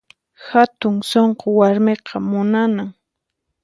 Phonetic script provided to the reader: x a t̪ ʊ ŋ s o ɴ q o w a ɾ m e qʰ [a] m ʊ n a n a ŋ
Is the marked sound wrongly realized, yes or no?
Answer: yes